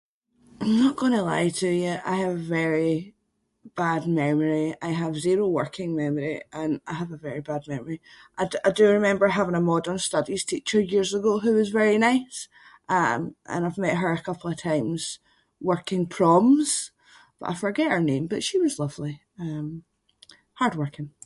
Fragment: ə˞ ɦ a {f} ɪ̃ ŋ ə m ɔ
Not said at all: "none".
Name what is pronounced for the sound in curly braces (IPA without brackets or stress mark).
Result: v